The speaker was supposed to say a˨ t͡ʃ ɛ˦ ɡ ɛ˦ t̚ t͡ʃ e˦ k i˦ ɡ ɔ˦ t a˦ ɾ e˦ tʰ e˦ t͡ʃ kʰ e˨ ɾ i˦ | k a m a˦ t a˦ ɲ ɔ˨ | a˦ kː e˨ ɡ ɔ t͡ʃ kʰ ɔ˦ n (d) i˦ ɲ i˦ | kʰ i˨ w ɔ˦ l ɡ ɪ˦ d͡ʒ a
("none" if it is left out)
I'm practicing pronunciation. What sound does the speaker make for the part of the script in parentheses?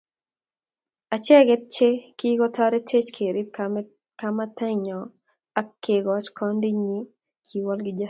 d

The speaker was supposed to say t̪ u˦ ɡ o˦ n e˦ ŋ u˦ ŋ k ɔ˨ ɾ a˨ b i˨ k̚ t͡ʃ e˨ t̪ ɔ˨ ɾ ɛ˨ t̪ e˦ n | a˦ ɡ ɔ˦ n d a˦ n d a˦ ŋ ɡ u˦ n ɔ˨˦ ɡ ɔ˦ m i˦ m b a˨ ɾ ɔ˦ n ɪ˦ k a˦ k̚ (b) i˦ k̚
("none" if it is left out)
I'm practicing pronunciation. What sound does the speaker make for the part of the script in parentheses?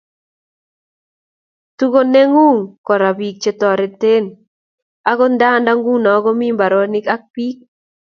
p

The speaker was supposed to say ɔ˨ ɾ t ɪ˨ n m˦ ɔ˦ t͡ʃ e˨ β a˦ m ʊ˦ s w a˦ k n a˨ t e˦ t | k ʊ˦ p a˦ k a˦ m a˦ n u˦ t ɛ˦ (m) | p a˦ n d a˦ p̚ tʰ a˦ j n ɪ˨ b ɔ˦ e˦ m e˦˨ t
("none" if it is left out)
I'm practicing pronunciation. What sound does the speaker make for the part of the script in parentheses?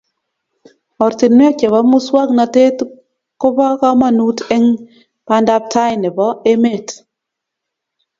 ŋ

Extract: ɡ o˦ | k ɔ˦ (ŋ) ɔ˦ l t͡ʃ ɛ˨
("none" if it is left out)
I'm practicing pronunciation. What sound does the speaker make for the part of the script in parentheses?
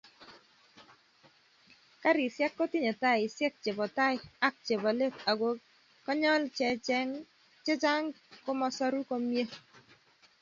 ɲ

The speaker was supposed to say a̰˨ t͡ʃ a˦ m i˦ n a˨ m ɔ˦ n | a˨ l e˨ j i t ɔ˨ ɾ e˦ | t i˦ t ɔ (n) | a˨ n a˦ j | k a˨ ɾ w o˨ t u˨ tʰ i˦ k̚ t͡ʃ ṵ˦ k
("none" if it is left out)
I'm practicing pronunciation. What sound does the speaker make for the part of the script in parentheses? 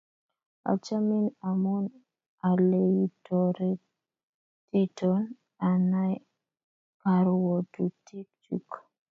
n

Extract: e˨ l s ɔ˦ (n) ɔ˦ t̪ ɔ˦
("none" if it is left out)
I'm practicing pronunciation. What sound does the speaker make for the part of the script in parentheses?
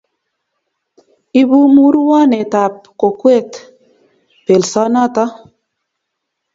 n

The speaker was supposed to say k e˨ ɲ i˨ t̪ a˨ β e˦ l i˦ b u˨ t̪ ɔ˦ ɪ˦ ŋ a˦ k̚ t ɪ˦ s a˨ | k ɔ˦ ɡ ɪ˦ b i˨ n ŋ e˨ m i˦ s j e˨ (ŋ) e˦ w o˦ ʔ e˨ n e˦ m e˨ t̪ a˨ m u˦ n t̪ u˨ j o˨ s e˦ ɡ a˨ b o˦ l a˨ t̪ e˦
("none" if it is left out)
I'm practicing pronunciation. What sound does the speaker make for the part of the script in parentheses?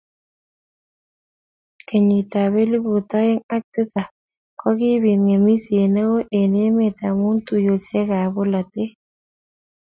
n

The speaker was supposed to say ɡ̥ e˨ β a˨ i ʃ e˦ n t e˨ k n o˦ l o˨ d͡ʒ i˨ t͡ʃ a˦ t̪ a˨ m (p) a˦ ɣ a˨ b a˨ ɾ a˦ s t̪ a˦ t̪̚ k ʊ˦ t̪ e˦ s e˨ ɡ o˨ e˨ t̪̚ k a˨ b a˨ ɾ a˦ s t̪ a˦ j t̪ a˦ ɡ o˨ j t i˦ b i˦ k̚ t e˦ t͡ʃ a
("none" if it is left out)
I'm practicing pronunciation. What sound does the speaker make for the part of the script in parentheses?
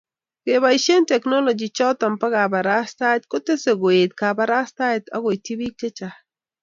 p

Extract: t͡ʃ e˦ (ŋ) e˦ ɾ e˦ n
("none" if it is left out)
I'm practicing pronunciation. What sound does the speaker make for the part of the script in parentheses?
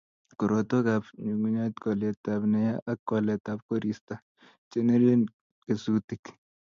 n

